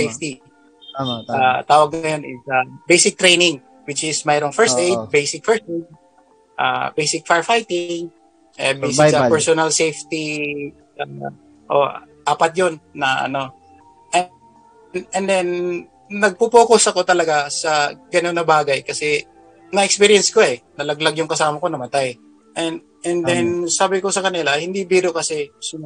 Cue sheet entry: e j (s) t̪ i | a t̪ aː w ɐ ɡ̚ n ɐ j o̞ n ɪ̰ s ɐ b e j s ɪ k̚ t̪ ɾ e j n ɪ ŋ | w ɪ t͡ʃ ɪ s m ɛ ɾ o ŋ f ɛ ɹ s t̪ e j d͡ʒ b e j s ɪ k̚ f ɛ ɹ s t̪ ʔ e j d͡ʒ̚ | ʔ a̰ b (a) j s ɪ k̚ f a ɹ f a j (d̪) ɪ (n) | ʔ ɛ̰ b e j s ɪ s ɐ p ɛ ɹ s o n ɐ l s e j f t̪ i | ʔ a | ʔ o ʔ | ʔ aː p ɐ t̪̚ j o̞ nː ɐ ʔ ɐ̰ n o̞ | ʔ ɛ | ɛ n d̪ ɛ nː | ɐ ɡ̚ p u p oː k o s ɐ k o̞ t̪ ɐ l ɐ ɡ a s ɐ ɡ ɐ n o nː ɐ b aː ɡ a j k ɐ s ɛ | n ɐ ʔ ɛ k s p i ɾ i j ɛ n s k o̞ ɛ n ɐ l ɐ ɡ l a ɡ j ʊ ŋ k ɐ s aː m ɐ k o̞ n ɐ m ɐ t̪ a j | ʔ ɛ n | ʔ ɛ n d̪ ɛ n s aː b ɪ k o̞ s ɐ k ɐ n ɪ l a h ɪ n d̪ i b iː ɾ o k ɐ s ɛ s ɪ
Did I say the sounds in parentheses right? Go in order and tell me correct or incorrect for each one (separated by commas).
incorrect, incorrect, incorrect, incorrect